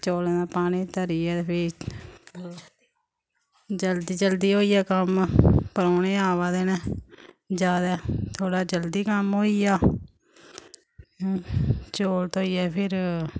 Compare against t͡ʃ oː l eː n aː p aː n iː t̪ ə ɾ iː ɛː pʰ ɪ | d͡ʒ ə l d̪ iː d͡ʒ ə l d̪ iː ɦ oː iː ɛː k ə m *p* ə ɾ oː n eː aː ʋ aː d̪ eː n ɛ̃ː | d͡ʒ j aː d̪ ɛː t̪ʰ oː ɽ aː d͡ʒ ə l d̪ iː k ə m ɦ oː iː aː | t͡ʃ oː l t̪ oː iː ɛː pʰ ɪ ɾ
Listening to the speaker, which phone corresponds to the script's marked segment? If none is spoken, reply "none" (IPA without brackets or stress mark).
p